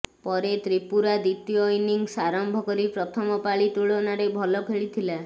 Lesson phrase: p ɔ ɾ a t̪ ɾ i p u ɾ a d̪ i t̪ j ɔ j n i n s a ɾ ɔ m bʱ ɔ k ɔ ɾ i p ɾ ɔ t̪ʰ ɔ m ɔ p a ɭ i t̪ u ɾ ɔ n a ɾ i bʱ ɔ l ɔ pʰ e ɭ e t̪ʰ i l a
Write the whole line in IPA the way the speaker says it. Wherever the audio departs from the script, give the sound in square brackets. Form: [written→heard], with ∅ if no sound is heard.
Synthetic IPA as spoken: p ɔ ɾ [a→e] t̪ ɾ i p u ɾ a d̪ i t̪ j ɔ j n i [n→ŋ] s a ɾ ɔ m bʱ ɔ k ɔ ɾ i p ɾ ɔ t̪ʰ ɔ m ɔ p a ɭ i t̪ u [ɾ→ɭ] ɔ n a ɾ [i→e] bʱ ɔ l ɔ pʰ e ɭ [e→i] t̪ʰ i l a

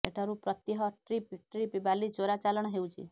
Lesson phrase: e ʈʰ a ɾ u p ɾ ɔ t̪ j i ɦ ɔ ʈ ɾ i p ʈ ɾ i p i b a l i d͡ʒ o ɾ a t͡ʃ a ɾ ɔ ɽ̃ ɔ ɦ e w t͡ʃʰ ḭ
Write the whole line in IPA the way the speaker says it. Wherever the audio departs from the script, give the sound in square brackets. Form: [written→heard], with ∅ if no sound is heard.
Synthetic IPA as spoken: e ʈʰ a ɾ u p ɾ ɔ t̪ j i ɦ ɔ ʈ ɾ i p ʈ ɾ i p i b a l i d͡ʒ o ɾ a t͡ʃ a [ɾ→l] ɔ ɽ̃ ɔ ɦ e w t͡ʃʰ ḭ

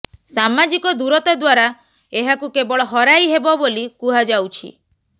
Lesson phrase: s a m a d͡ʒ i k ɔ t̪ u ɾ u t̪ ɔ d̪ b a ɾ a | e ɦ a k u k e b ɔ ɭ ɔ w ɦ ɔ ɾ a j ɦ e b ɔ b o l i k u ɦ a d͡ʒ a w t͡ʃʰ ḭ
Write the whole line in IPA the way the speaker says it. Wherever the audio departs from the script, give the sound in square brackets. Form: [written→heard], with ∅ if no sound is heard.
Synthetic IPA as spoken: s a m a d͡ʒ i k ɔ [t̪→d̪] u ɾ [u→ɔ] t̪ ɔ d̪ [b→w] a ɾ a | e ɦ a k u k e b ɔ ɭ ɔ [w→∅] ɦ ɔ ɾ a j ɦ e b ɔ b o l i k u ɦ a d͡ʒ a w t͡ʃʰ ḭ

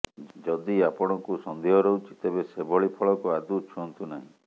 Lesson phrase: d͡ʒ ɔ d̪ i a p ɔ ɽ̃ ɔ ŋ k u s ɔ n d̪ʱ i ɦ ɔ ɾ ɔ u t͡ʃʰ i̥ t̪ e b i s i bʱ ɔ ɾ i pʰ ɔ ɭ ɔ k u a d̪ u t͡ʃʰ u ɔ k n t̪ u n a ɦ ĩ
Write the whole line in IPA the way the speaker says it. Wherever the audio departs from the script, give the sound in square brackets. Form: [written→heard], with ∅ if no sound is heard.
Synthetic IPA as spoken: d͡ʒ ɔ d̪ i a p ɔ ɽ̃ ɔ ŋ k u s ɔ n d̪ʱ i ɦ ɔ ɾ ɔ u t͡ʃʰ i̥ t̪ e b [i→e] s [i→e] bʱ ɔ [ɾ→ɭ] i pʰ ɔ ɭ ɔ k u a d̪ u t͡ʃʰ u ɔ [k→∅] n t̪ u n a ɦ ĩ

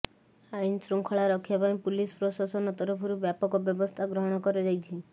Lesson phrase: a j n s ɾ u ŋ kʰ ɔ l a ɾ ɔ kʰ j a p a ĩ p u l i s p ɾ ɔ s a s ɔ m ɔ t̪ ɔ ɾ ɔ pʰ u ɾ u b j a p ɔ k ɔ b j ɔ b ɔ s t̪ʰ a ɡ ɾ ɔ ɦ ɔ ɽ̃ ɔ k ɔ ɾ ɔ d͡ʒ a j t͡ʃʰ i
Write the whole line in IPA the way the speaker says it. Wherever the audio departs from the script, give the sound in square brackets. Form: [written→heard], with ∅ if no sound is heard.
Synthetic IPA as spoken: a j n s ɾ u ŋ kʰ ɔ [l→ɭ] a ɾ ɔ kʰ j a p a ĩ p u l i s p ɾ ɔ s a s ɔ [m→n] ɔ t̪ ɔ ɾ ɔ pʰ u ɾ u b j a p ɔ k ɔ b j ɔ b ɔ s t̪ʰ a ɡ ɾ ɔ ɦ ɔ ɽ̃ ɔ k ɔ ɾ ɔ d͡ʒ a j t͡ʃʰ i

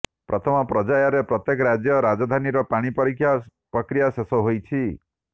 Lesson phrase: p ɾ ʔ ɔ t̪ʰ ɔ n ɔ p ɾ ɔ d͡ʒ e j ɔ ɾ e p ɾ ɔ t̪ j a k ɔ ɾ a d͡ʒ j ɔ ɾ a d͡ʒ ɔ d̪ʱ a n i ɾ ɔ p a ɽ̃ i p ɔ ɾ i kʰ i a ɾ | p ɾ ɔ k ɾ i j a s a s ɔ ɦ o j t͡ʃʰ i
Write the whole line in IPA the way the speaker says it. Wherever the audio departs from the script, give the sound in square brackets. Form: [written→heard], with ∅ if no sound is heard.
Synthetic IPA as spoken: p ɾ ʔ ɔ t̪ʰ ɔ [n→m] ɔ p ɾ ɔ d͡ʒ [e→a] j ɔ ɾ e p ɾ ɔ t̪ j [a→e] k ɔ ɾ a d͡ʒ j ɔ ɾ a d͡ʒ ɔ d̪ʱ a n i ɾ ɔ p a ɽ̃ i p ɔ ɾ i kʰ [i→j] a [ɾ→∅] | p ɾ ɔ k ɾ i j a s [a→e] s ɔ ɦ o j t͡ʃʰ i

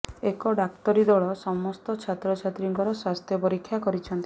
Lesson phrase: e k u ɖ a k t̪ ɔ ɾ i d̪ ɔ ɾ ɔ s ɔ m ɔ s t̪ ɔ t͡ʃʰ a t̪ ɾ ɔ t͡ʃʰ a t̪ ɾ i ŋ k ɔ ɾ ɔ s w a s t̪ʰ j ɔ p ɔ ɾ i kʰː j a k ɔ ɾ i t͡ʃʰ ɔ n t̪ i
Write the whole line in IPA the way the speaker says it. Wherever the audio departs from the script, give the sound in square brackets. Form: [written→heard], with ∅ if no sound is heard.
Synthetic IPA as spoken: e k [u→ɔ] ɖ a k t̪ ɔ ɾ i d̪ ɔ [ɾ→ɭ] ɔ s ɔ m ɔ s t̪ ɔ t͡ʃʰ a t̪ ɾ ɔ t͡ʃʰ a t̪ ɾ i ŋ k ɔ ɾ ɔ s w a s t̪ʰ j ɔ p ɔ ɾ i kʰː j a k ɔ ɾ i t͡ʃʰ ɔ n t̪ i

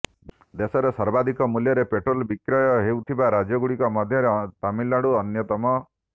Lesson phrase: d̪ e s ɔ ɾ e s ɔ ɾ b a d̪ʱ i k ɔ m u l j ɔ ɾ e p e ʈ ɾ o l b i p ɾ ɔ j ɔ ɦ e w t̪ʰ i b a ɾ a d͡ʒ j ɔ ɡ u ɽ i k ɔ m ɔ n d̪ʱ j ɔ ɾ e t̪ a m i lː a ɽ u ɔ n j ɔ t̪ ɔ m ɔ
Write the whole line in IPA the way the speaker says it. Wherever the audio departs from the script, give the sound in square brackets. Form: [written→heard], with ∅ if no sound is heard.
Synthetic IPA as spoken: d̪ e s ɔ ɾ e s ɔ ɾ b a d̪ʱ i k ɔ m u l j ɔ ɾ e p e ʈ ɾ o l b i [p→k] ɾ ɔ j ɔ ɦ e w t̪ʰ i b a ɾ a d͡ʒ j ɔ ɡ u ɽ i k ɔ m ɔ [n→∅] d̪ʱ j ɔ ɾ e t̪ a m i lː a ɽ u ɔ n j ɔ t̪ ɔ m ɔ

